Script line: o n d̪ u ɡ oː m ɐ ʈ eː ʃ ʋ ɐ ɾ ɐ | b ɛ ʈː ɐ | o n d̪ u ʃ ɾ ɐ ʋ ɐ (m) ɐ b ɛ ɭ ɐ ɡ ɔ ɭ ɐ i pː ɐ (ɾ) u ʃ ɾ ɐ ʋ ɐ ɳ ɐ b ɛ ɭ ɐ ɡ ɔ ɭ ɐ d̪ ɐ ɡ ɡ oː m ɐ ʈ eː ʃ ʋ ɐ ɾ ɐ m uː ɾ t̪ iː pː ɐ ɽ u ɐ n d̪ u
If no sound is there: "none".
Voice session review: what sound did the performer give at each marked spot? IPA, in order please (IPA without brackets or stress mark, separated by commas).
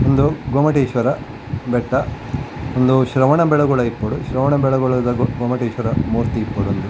ɳ, ɽ